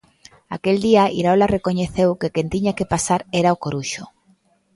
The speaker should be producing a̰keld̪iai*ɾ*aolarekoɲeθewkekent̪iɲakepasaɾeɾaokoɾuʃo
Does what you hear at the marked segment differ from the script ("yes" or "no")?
no